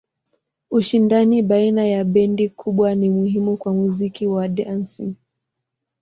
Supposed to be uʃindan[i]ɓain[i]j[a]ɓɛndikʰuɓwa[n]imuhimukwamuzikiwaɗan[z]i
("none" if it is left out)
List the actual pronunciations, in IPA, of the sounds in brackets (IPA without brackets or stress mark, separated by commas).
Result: i, a, a, n, s